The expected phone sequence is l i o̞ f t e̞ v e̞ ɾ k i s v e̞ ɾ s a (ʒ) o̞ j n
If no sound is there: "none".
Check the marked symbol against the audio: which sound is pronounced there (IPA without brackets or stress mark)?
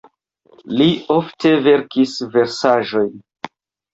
ʒ